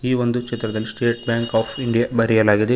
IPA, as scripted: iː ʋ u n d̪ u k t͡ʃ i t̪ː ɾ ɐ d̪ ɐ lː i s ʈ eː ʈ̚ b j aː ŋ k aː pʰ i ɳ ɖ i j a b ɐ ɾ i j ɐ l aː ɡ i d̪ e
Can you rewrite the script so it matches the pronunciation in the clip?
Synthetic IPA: iː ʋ o n d̪ u k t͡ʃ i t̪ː ɾ ɐ d̪ ɐ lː i s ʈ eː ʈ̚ b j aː ŋ k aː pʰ i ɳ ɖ i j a b ɐ ɾ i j ɐ l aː ɡ i d̪ e